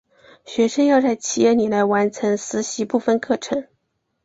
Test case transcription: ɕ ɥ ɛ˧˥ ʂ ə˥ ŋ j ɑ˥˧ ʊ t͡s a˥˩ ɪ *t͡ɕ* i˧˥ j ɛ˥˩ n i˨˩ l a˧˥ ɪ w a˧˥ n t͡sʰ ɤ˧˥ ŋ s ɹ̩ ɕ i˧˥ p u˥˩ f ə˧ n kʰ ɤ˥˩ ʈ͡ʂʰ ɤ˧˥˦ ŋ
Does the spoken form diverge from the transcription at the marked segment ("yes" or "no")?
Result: yes